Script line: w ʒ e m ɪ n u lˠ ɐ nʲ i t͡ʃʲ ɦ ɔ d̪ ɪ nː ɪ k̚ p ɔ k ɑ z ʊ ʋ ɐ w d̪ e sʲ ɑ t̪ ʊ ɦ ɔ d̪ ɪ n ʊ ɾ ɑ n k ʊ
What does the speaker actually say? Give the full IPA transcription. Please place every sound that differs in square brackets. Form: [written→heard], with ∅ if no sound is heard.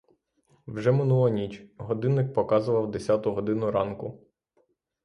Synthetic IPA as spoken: w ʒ [e→ɛ] m ɪ n u lˠ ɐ nʲ i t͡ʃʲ ɦ ɔ d̪ ɪ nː ɪ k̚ p ɔ k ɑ z ʊ ʋ ɐ w d̪ e sʲ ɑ t̪ ʊ ɦ ɔ d̪ ɪ n ʊ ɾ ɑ n k ʊ